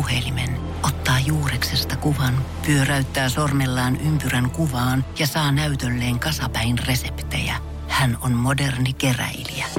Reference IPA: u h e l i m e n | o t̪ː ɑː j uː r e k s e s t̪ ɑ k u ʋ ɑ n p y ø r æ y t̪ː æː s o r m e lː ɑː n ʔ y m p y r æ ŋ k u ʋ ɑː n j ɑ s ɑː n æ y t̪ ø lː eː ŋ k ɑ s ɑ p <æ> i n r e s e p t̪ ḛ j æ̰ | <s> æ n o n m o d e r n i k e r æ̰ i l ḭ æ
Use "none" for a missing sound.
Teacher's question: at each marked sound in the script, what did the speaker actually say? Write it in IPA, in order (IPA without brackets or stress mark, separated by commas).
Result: æ, h